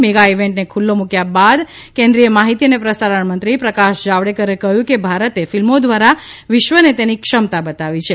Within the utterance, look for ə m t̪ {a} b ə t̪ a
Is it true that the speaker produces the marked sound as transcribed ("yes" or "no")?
yes